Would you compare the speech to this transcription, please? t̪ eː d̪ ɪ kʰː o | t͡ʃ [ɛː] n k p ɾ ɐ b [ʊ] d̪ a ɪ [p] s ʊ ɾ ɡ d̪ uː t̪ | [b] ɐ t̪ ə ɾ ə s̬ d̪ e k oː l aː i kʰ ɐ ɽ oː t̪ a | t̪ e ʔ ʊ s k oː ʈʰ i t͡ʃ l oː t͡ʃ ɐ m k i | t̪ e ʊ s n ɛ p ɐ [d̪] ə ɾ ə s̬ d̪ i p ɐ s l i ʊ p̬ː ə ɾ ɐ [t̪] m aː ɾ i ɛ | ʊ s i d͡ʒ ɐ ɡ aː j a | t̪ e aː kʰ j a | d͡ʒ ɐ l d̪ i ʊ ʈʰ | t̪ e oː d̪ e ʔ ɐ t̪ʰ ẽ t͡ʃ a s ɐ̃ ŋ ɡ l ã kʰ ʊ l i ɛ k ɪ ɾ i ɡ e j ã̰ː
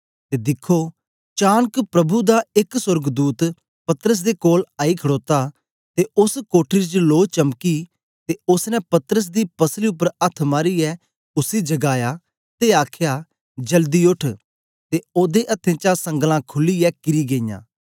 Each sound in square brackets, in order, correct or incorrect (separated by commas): incorrect, incorrect, incorrect, incorrect, incorrect, incorrect